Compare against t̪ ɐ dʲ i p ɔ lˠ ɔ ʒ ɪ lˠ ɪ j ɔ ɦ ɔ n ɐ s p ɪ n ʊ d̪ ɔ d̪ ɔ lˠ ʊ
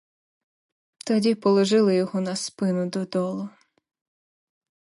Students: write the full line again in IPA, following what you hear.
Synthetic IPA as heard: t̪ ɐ dʲ i p ɔ lˠ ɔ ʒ ɪ lˠ ɪ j ɔ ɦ ɔ n ɐ s p ɪ n ʊ d̪ ɔ d̪ ɔ lˠ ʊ